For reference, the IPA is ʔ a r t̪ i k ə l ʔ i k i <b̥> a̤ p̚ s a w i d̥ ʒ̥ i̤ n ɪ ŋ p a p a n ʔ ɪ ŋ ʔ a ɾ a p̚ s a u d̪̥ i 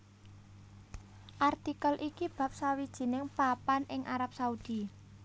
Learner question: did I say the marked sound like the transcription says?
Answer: yes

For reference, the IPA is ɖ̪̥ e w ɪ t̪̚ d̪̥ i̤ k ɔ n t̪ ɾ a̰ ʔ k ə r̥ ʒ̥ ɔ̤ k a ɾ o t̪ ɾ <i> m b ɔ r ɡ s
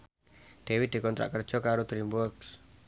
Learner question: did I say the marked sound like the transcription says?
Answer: yes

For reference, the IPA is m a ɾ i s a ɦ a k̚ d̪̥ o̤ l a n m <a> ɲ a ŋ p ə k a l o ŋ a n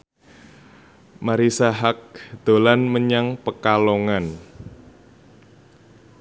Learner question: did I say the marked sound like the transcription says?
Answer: no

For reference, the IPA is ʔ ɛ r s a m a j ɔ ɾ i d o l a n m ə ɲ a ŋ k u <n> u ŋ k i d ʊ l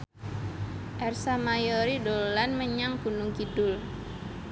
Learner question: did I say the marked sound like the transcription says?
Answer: yes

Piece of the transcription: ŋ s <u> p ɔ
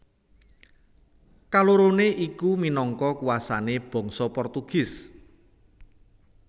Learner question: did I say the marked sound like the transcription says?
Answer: no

